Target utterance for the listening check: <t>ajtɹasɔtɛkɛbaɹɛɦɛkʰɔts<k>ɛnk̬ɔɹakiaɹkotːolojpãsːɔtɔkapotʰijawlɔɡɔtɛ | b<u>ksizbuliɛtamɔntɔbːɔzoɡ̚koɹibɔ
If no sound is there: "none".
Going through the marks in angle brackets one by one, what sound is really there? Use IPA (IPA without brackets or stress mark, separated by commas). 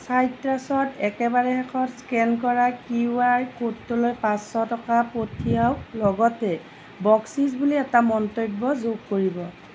s, k, ɔ